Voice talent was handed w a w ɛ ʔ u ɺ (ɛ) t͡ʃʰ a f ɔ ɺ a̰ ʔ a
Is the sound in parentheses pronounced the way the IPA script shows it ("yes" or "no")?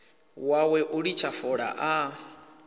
no